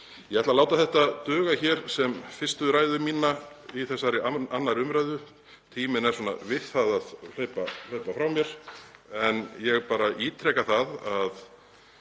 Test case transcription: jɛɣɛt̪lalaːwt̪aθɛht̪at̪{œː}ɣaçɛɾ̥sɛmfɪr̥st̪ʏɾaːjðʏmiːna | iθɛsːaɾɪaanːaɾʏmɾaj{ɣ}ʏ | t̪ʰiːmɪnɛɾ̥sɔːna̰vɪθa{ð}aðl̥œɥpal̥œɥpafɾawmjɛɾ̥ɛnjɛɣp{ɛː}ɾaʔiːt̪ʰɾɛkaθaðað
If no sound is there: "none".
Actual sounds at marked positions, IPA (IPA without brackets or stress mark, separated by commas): œː, ð, ð, aː